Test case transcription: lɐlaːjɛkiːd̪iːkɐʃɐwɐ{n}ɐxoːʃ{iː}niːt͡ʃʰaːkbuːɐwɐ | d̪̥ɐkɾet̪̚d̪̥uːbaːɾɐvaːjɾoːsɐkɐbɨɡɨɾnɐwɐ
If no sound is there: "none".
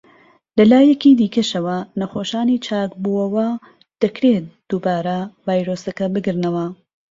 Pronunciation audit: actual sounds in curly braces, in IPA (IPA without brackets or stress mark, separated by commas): n, aː